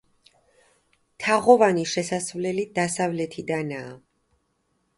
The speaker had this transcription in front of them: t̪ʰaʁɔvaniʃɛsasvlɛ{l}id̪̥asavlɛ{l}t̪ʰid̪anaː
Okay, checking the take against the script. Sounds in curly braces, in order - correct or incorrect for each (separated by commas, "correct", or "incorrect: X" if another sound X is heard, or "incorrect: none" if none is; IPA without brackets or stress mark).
correct, incorrect: none